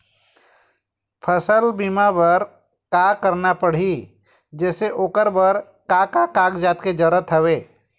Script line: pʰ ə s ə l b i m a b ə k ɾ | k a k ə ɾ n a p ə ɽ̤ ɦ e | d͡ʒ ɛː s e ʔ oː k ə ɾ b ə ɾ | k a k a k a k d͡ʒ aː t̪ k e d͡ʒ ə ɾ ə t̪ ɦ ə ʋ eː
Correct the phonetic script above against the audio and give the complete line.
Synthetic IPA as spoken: pʰ ə s ə l b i m a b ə ɾ | k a k ə ɾ n a p ə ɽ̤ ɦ i | d͡ʒ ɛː s e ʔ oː k ə ɾ b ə ɾ | k a k a k a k d͡ʒ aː t̪ k e d͡ʒ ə ɾ ə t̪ ɦ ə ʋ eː